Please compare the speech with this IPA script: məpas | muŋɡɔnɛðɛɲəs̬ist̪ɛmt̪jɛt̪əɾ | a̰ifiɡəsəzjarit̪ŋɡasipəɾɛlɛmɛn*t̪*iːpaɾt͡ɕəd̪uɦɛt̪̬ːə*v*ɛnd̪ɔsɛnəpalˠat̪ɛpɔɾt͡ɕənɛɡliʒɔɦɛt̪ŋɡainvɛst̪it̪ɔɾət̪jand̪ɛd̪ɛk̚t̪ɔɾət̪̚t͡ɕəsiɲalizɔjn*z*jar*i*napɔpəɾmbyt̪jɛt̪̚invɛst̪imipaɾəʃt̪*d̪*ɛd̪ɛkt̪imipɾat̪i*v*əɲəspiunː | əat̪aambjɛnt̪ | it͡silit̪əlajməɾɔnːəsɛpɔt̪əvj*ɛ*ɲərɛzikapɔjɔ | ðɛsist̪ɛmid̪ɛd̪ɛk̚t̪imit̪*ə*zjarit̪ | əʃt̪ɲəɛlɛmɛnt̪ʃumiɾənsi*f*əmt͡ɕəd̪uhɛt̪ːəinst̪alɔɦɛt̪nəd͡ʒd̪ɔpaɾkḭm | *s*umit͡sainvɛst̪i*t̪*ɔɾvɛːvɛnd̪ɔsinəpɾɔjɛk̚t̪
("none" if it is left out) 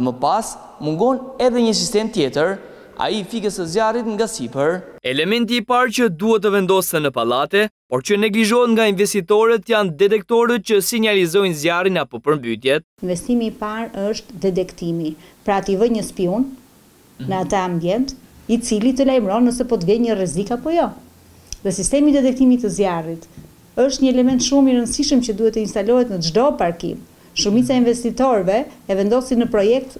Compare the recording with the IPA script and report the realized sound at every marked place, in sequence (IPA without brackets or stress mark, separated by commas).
t̪, v, z, i, d̪, v, ɛ, ə, ʃ, ʃ, t̪